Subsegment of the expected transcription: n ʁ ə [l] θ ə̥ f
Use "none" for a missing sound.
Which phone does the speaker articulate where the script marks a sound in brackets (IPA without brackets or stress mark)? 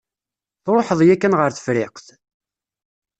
ɾ